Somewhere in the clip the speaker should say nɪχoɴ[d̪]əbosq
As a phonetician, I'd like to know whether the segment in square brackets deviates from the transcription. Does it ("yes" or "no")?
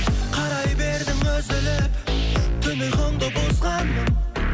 no